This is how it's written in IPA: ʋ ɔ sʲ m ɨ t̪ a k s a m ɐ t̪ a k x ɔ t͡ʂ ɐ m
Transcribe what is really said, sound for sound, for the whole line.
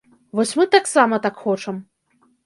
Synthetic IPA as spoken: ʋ ɔ sʲ m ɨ t̪ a k s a m ɐ t̪ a k x ɔ t͡ʂ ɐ m